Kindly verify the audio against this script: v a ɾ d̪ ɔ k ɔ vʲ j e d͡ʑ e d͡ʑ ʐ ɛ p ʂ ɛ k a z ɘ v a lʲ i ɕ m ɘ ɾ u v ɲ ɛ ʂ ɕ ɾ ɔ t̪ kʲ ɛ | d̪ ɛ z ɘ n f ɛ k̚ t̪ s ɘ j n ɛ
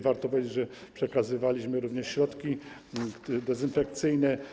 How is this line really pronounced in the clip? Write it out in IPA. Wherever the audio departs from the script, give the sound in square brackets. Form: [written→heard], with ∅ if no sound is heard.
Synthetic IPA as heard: v a ɾ [d̪→t̪] ɔ [k→p] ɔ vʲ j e d͡ʑ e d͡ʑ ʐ ɛ p ʂ ɛ k a z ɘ v a lʲ i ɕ m ɘ ɾ u v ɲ ɛ ʂ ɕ ɾ ɔ t̪ kʲ [ɛ→i] | d̪ ɛ z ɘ n f ɛ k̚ t̪ s ɘ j n ɛ